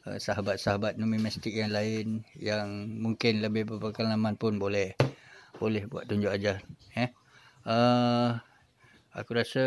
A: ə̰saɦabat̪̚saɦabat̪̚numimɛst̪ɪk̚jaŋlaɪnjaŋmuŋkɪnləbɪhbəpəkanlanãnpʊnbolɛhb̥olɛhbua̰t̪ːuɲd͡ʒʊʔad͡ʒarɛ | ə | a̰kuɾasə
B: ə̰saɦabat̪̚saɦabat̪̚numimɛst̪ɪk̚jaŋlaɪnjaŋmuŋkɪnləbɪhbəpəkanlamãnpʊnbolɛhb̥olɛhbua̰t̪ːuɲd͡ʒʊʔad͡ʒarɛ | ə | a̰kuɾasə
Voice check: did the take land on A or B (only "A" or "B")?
B